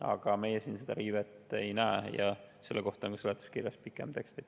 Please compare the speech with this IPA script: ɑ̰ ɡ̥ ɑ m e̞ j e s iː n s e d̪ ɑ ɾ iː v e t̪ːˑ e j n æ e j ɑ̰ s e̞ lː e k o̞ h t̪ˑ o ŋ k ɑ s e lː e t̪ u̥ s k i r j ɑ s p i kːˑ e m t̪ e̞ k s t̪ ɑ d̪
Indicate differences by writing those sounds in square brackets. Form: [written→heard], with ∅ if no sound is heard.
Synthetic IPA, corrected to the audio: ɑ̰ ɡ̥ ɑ m e̞ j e s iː n s e d̪ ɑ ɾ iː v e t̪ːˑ e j n æ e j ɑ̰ s e̞ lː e k o̞ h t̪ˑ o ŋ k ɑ s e [lː→l] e t̪ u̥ s k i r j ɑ s p i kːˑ e m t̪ e̞ k s t̪ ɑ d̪

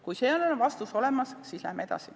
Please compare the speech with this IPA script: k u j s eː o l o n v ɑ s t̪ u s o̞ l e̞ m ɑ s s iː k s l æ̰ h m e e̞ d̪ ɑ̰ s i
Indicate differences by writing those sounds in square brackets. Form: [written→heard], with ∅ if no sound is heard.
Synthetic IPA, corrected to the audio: k u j s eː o l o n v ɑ s t̪ u s o̞ l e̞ m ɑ s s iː [k→∅] s l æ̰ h m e e̞ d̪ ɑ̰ s i

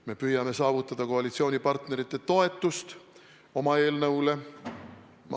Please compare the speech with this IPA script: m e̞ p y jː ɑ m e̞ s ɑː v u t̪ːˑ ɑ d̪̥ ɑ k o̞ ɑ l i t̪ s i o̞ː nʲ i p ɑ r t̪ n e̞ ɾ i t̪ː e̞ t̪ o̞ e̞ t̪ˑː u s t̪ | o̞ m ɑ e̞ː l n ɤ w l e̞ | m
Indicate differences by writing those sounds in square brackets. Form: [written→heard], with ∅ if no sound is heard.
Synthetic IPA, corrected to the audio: m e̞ p y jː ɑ m e̞ s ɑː v u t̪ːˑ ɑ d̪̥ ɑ k o̞ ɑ l i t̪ s i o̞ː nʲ i p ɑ r t̪ n e̞ ɾ i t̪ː e̞ t̪ o̞ e̞ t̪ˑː u s t̪ | o̞ m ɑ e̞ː l n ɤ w l e̞ | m

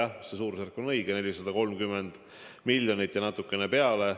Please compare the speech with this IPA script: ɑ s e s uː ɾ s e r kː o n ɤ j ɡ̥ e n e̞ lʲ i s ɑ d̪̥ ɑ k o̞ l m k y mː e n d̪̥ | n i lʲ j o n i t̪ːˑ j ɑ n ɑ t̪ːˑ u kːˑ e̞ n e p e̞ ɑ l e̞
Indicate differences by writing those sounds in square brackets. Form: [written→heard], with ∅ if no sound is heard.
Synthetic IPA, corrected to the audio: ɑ s e s uː ɾ s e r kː o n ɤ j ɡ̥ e n e̞ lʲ i s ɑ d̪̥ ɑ k o̞ l m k y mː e n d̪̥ | [n→m] i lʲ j o n i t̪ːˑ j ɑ n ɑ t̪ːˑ u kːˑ e̞ n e p e̞ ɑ l e̞

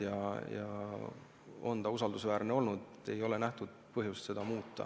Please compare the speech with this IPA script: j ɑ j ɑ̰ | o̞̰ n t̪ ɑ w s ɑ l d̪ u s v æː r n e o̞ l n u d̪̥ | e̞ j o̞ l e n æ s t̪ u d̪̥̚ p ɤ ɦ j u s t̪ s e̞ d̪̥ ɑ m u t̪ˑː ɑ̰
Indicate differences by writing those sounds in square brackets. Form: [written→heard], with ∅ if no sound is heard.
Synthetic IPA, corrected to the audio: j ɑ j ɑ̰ | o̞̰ n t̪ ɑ [w→u] s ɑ l d̪ u s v æː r n e o̞ l n u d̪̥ | e̞ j o̞ l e n æ [s→h] t̪ u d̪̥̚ p ɤ ɦ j u s t̪ s e̞ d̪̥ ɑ m [u→uː] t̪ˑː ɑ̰

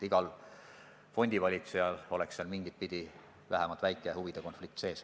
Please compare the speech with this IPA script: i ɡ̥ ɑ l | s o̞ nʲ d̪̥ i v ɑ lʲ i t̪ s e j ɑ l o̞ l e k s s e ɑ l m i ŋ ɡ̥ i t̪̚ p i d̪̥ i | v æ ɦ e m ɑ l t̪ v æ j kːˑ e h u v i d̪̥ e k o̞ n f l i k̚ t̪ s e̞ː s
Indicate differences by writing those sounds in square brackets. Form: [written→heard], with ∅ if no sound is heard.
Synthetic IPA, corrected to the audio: i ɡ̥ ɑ l | [s→f] o̞ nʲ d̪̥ i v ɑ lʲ i t̪ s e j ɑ l o̞ l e k s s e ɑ l m i ŋ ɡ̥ i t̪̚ p i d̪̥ i | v æ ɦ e m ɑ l t̪ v æ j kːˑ e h u v i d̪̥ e k o̞ n f l i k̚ t̪ s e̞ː s

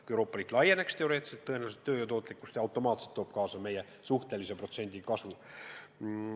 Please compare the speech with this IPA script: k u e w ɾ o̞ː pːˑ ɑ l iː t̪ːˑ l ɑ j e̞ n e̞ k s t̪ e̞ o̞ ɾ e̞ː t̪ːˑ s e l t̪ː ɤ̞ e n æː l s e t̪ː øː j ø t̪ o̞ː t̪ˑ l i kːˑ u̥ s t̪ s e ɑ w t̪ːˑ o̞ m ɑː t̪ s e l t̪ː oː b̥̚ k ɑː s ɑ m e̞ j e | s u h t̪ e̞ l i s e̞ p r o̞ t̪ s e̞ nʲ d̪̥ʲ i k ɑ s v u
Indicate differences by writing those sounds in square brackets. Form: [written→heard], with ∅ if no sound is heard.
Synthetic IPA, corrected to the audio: k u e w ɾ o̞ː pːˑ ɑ l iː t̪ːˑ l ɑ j e̞ n e̞ k s t̪ e̞ o̞ ɾ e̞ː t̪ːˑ s e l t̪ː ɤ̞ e n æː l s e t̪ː øː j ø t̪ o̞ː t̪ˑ l i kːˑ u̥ s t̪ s e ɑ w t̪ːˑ o̞ m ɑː t̪ s e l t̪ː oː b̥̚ k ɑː s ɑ m e̞ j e | s u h t̪ e̞ l i s e̞ p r o̞ t̪ s e̞ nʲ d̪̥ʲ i k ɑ s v u

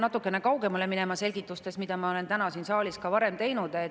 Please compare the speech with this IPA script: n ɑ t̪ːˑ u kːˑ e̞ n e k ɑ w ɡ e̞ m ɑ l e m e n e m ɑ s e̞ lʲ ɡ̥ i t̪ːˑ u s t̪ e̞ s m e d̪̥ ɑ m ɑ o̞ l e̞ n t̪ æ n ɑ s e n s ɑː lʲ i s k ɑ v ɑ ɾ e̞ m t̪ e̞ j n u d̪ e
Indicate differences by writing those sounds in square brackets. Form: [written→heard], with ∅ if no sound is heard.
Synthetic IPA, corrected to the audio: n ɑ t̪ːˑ u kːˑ e̞ n e k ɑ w ɡ e̞ m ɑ l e m [e→i] n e m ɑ s e̞ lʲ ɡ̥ i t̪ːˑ u s t̪ e̞ s m [e→i] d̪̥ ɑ m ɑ o̞ l e̞ n t̪ æ n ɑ s [e→i] n s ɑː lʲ i s k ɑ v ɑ ɾ e̞ m t̪ e̞ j n u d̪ e

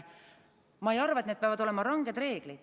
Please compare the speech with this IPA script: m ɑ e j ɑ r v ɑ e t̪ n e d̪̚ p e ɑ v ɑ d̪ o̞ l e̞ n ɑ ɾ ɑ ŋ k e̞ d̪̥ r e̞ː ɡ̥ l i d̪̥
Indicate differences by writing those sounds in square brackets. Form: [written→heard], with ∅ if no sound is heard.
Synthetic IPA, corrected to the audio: m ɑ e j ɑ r v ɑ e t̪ n e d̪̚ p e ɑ v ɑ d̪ o̞ l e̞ [n→m] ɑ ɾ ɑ ŋ [k→ɡ] e̞ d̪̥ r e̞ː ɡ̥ l i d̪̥

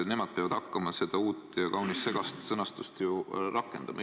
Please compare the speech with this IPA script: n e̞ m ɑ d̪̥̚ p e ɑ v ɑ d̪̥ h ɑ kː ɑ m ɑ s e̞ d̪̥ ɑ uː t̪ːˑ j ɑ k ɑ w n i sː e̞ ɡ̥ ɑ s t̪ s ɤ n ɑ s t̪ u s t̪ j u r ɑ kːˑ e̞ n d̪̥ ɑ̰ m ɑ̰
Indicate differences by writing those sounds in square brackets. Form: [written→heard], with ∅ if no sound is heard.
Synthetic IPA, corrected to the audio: n e̞ m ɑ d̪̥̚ p e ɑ v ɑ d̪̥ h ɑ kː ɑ m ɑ s e̞ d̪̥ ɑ uː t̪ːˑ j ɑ k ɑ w n i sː e̞ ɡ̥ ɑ s t̪ s ɤ n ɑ s t̪ u s t̪ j u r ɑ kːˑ e̞ n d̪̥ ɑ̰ m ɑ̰

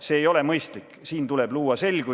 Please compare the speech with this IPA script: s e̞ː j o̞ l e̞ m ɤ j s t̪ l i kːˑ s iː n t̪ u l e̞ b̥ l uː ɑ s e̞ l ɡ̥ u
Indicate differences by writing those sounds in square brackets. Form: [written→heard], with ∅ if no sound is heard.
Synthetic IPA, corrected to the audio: s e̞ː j o̞ l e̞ m ɤ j s t̪ l i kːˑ s iː n t̪ u l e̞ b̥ l uː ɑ s e̞ l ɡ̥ u

